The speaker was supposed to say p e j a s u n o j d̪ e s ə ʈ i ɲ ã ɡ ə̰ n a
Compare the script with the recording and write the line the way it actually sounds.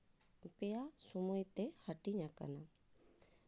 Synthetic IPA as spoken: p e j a s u m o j t̪ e h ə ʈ i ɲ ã k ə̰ n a